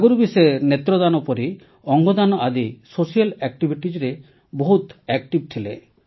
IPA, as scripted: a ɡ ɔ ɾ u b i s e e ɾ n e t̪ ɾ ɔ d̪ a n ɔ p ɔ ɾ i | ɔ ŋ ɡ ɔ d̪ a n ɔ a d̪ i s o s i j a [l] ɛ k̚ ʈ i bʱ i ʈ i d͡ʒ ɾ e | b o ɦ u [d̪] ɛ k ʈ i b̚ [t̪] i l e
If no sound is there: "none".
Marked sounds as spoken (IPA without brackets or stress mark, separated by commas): l, t̪, t̪ʰ